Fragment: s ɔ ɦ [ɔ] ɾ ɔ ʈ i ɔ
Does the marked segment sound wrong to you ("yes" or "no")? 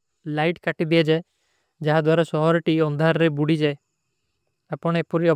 no